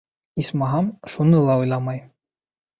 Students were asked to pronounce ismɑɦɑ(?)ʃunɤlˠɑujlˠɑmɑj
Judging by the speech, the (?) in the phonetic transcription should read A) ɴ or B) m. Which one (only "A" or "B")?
B